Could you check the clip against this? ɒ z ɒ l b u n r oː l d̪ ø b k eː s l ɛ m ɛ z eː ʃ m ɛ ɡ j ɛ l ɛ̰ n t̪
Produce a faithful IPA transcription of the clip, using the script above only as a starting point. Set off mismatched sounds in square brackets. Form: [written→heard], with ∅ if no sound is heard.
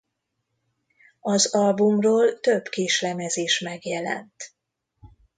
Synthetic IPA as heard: ɒ z ɒ l b u [n→m] r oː l [d̪→t̪] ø b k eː [s→ʃ] l ɛ m ɛ z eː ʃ m ɛ ɡ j ɛ l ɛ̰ n t̪